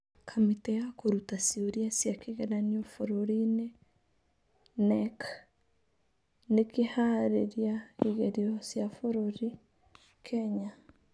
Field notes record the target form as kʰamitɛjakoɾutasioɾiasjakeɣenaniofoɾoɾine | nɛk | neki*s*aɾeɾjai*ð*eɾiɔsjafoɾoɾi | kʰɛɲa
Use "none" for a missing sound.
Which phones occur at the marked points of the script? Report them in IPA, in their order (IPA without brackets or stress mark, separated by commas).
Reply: h, ɣ